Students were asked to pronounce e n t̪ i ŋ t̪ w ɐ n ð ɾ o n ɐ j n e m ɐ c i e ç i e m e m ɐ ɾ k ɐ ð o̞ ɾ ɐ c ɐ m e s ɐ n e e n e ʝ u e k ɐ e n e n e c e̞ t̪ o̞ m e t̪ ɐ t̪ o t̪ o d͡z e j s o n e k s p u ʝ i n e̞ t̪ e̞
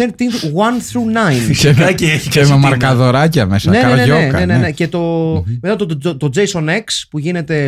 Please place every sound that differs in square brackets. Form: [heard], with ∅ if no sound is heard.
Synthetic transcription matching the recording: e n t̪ i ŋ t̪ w ɐ n [θ] ɾ [u] n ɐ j n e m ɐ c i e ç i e m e m ɐ ɾ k ɐ ð o̞ ɾ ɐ c ɐ m e s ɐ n e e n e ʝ [o] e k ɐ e n e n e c e̞ t̪ o̞ m e t̪ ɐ t̪ o t̪ o d͡z e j s o n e k s p u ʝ i n e̞ t̪ e̞